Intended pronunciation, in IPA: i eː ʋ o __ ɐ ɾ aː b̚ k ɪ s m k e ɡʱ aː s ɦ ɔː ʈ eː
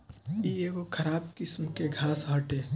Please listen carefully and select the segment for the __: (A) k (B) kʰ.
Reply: B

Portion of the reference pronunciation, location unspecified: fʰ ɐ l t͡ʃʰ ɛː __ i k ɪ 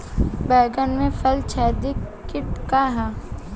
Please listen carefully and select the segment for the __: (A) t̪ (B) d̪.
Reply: B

